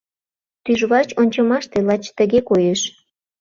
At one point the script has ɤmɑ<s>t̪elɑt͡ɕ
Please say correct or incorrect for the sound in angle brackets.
incorrect